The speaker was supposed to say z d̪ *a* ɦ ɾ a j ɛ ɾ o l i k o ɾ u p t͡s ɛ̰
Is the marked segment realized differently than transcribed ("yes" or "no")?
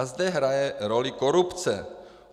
yes